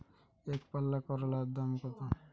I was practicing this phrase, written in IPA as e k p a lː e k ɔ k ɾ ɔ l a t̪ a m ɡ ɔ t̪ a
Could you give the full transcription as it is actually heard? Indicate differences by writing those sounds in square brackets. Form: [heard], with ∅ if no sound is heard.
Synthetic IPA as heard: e k p a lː [a] k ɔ [∅] ɾ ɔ l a [d̪] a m [k] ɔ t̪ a